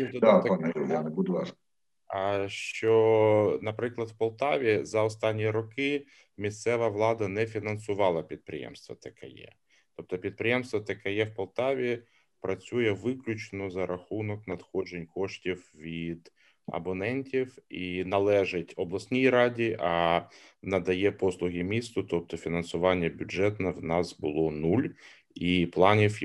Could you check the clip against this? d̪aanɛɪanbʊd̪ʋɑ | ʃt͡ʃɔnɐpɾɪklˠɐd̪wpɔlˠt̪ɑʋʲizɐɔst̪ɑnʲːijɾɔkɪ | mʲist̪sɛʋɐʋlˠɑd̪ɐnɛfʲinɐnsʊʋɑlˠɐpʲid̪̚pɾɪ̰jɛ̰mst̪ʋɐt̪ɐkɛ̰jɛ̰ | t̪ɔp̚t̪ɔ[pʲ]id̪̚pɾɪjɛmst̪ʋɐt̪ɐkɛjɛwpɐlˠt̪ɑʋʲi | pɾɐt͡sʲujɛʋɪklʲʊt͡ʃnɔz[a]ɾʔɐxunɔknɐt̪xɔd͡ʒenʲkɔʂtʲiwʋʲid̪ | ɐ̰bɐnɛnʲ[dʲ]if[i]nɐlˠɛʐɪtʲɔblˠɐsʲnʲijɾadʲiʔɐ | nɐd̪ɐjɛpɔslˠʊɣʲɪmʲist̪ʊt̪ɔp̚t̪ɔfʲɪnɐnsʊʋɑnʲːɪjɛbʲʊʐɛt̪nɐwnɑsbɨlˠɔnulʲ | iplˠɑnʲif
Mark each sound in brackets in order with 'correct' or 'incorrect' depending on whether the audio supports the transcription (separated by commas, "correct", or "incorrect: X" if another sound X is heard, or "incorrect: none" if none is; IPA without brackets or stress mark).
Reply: correct, incorrect: ɐ, incorrect: tʲ, correct